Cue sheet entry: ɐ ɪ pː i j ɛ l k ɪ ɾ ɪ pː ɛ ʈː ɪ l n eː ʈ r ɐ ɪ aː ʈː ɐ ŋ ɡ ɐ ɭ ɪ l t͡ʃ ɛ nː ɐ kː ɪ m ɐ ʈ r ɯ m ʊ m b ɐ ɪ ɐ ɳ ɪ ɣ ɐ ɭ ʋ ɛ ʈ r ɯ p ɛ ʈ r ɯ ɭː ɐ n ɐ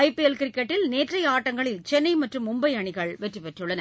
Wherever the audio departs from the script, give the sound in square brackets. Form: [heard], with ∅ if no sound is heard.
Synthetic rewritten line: ɐ ɪ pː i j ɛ l k ɪ ɾ ɪ [kː] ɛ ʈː ɪ l n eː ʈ r ɐ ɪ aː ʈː ɐ ŋ ɡ ɐ ɭ ɪ l t͡ʃ ɛ nː ɐ [∅] ɪ m ɐ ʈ r ɯ m ʊ m b ɐ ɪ ɐ ɳ ɪ ɣ ɐ ɭ ʋ ɛ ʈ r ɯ p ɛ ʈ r ɯ ɭː ɐ n ɐ

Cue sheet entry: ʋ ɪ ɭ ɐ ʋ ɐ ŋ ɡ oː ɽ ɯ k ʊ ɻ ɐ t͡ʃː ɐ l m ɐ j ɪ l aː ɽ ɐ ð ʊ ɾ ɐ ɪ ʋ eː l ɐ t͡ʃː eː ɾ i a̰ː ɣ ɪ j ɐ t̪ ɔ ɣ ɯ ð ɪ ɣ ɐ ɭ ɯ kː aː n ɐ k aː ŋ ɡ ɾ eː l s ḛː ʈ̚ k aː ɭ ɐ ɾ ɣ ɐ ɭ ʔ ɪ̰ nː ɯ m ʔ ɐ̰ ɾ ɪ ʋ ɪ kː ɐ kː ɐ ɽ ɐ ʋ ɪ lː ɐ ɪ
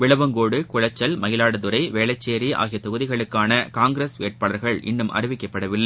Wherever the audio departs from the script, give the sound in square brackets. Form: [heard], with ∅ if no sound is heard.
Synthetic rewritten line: ʋ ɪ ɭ ɐ ʋ ɐ ŋ ɡ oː ɽ ɯ k ʊ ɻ ɐ t͡ʃː ɐ l m ɐ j ɪ l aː ɽ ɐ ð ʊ ɾ ɐ ɪ ʋ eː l ɐ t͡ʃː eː ɾ i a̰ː ɣ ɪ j ɐ t̪ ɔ ɣ ɯ ð ɪ ɣ ɐ ɭ ɯ kː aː n ɐ k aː ŋ ɡ ɾ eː [∅] s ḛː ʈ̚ [p] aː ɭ ɐ ɾ ɣ ɐ ɭ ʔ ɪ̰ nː ɯ m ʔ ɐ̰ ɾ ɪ ʋ ɪ kː ɐ [pː] ɐ ɽ ɐ ʋ ɪ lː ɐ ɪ

